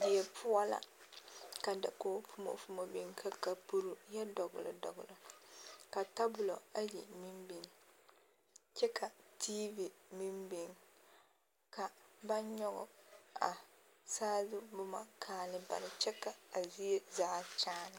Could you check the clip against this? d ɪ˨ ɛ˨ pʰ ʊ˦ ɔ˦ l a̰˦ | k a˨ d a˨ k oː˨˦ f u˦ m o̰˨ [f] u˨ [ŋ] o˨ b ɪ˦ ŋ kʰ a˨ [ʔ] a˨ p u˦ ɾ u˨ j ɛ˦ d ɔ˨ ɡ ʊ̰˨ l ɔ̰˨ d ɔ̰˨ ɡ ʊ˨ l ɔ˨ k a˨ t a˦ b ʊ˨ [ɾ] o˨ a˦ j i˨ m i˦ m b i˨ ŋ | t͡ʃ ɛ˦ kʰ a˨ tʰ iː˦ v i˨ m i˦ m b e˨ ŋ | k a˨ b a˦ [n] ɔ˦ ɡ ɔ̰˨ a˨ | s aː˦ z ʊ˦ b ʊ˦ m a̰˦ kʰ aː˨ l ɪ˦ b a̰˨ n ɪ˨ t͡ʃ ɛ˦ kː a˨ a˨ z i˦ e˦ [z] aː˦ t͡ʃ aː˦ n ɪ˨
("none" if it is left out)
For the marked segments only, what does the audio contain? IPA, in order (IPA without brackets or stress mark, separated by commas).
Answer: f, m, k, l, ɲ, z